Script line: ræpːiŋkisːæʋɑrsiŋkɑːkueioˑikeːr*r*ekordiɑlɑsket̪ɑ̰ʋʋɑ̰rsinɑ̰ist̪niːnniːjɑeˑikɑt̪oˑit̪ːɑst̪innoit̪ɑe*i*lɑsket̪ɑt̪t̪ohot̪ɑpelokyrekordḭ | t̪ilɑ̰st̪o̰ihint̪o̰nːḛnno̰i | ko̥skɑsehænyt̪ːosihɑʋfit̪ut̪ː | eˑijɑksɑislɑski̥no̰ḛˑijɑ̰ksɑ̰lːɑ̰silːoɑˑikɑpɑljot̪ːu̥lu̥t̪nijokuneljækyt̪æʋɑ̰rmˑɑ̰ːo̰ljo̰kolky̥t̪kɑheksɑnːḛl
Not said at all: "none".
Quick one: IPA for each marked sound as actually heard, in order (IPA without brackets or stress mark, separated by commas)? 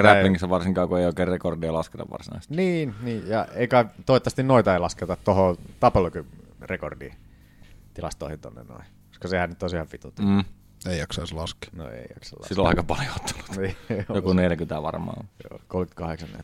r, i